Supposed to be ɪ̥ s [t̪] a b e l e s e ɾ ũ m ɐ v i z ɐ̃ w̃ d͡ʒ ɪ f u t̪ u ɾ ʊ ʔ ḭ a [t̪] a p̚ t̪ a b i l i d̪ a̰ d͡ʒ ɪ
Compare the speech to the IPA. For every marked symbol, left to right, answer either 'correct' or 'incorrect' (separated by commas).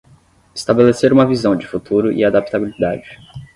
correct, incorrect